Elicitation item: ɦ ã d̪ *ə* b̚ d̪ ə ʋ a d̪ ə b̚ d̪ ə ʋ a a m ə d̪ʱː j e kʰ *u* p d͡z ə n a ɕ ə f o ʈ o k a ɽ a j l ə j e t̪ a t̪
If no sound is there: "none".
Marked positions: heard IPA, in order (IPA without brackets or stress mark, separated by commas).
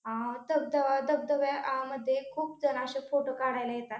ə, uː